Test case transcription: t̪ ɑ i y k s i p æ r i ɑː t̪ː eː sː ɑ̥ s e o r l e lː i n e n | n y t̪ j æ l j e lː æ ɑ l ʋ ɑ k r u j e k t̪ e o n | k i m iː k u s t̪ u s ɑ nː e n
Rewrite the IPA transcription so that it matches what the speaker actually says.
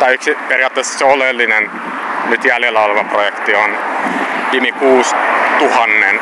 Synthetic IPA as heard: t̪ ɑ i y k s i p e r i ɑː t̪ː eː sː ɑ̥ s e o l e lː i n e n | n y t̪ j æ l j e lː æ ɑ l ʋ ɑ p r o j e k t̪ i o n | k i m i k uː s t̪ u h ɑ nː e n